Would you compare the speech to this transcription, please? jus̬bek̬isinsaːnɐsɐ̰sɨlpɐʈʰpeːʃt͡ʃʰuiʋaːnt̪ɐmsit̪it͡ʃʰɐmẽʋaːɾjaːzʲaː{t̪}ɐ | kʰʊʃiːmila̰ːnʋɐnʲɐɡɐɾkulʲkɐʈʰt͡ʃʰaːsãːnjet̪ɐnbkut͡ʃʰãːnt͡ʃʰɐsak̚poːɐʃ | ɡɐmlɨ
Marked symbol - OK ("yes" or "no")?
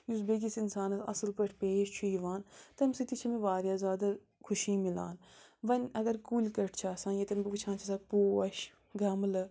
no